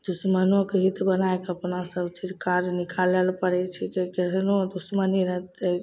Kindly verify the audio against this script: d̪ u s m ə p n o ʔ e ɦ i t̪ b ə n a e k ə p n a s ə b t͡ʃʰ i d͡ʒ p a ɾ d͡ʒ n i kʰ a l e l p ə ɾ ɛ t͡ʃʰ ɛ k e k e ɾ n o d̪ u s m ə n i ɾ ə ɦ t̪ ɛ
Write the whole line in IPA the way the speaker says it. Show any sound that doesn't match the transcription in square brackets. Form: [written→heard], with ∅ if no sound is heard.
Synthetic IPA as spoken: d̪ u s m ə [p→∅] n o [ʔ→k] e ɦ i t̪ b ə n a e k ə p n a s ə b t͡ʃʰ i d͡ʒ [p→k] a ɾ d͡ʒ n i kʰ a l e l p ə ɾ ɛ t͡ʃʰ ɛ k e k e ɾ n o d̪ u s m ə n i ɾ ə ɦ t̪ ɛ